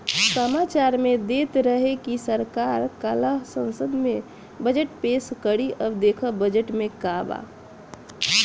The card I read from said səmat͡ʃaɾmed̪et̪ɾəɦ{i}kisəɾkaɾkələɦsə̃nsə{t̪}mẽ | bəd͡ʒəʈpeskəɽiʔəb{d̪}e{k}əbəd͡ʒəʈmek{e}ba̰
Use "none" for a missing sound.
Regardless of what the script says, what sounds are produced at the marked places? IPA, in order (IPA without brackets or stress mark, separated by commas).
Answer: e, d̪, d̪, kʰ, a